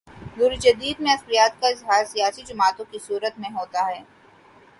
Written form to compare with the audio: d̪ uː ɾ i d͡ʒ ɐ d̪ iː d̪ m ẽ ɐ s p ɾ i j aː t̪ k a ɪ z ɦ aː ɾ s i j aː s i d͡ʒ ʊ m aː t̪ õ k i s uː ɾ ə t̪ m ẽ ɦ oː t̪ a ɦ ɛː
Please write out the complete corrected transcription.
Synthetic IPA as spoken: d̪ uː ɾ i d͡ʒ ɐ d̪ iː d̪ m ẽ ɐ s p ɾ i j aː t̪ k a ɪ z ɦ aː ɾ s i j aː s i d͡ʒ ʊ m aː t̪ õ k i s uː ɾ ə t̪ m ẽ ɦ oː t̪ a ɦ ɛː